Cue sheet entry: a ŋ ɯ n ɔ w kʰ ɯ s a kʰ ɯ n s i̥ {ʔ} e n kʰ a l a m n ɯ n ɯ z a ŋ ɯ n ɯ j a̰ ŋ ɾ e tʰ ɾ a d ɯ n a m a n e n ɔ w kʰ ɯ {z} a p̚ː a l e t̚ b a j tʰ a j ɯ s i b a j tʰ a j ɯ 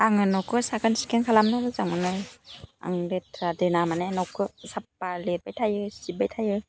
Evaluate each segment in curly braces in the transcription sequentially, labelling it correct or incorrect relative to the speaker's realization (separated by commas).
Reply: incorrect, incorrect